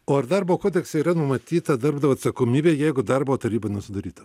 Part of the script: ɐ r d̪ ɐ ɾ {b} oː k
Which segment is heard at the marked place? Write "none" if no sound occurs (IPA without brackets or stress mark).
b